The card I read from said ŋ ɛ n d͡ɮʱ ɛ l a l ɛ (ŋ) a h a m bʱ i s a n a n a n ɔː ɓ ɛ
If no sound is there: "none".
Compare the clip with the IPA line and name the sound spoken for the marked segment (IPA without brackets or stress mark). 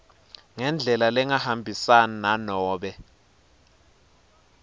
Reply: ŋ